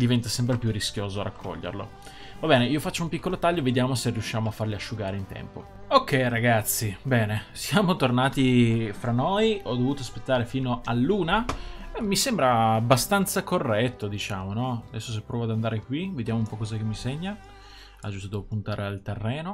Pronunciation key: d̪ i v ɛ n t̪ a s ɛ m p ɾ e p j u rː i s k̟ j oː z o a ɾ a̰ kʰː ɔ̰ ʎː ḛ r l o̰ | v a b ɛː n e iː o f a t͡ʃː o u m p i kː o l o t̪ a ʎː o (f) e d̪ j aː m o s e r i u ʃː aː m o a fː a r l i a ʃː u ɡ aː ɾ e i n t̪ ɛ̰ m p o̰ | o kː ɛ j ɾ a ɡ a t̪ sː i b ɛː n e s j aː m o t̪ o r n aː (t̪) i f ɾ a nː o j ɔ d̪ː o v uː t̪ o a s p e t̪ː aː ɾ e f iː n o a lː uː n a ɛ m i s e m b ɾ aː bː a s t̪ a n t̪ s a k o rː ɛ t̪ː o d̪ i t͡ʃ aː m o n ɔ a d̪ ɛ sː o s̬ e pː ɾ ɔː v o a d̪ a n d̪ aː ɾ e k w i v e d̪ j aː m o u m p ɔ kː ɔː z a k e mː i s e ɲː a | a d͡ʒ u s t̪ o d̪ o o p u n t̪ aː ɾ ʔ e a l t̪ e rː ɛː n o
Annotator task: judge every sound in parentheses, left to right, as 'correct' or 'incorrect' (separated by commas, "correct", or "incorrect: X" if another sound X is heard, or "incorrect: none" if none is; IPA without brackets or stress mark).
incorrect: v, correct